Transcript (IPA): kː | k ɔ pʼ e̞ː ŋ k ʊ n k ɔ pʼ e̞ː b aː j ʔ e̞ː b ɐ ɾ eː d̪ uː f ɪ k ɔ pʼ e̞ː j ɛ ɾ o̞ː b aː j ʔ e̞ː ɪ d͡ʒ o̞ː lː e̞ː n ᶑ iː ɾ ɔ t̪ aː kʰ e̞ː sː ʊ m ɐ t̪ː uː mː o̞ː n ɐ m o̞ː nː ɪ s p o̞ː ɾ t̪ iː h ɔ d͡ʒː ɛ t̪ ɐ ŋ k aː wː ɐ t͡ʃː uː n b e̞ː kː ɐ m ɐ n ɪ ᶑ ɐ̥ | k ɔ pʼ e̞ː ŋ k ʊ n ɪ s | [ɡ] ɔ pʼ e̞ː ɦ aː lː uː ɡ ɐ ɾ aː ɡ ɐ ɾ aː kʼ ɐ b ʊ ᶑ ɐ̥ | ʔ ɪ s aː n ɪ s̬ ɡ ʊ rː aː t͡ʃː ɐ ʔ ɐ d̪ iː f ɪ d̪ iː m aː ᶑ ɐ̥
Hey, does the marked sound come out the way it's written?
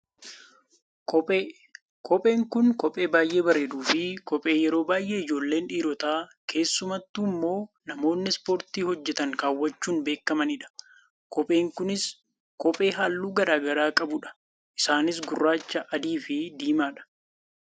no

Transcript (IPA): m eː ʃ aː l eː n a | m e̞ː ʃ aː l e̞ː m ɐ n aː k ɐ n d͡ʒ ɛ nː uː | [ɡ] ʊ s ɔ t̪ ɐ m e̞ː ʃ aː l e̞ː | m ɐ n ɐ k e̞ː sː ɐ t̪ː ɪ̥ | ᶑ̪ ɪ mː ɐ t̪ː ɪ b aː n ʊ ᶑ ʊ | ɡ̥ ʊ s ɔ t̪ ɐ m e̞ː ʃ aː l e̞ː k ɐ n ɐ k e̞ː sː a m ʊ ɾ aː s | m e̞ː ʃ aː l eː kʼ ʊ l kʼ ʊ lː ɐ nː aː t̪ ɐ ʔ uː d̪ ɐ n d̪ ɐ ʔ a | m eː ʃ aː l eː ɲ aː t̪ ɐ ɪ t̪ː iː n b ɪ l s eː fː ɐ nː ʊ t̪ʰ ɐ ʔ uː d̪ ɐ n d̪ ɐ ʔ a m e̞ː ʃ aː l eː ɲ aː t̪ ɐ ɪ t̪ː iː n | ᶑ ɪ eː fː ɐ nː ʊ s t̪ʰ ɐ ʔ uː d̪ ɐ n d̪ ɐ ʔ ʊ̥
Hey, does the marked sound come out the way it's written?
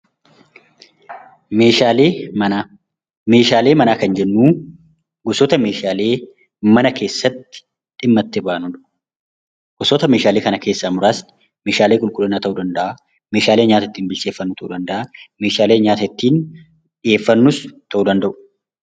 yes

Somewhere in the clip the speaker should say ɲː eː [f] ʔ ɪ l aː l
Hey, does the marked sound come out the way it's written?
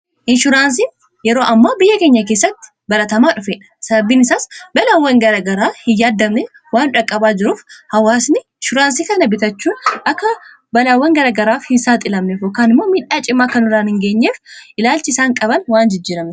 yes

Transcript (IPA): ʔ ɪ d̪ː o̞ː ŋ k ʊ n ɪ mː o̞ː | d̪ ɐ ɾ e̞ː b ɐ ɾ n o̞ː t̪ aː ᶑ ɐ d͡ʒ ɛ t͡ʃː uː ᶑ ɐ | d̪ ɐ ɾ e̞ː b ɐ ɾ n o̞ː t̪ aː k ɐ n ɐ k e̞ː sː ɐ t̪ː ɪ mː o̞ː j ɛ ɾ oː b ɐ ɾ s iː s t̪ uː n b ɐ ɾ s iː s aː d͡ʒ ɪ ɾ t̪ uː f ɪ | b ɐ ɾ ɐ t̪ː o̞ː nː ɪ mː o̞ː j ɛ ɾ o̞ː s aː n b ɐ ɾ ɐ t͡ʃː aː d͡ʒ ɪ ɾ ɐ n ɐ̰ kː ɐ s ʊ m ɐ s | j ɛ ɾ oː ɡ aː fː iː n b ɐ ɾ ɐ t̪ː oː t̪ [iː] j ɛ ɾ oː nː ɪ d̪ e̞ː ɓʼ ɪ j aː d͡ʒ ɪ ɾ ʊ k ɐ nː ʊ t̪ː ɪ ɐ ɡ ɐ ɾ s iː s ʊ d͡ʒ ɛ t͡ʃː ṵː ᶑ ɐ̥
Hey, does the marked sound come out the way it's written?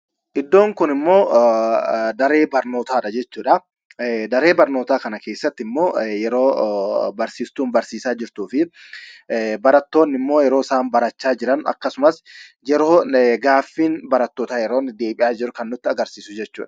no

